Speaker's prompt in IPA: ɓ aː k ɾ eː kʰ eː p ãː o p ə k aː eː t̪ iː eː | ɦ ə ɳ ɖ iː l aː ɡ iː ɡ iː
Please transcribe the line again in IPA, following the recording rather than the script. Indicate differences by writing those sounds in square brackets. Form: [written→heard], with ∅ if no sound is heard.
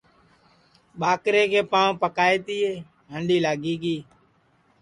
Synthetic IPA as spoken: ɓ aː k ɾ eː [kʰ→k] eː p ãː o p ə k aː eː t̪ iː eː | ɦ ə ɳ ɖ iː l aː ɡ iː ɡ iː